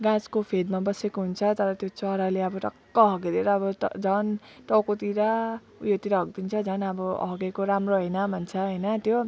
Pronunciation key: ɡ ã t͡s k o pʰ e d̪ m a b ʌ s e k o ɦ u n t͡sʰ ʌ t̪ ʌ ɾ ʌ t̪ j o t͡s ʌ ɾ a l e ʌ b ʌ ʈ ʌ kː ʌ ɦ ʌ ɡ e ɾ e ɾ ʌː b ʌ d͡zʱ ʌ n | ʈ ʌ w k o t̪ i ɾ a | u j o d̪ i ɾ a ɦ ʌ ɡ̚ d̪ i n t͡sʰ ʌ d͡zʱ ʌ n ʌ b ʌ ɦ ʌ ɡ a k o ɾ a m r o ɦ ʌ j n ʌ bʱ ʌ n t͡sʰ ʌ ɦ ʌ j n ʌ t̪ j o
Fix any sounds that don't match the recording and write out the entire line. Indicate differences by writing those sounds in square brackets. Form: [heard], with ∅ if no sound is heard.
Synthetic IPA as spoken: ɡ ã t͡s k o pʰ e d̪ m a b ʌ s e k o ɦ u n t͡sʰ ʌ t̪ ʌ ɾ ʌ t̪ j o t͡s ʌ ɾ a l e ʌ b ʌ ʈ ʌ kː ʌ ɦ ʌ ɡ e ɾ e ɾ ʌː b ʌ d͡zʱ ʌ n | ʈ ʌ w k o t̪ i ɾ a | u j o [t̪] i ɾ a ɦ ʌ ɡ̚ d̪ i n t͡sʰ ʌ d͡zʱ ʌ n ʌ b ʌ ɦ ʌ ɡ [e] k o ɾ a m r o ɦ ʌ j n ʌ bʱ ʌ n t͡sʰ ʌ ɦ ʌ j n ʌ t̪ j o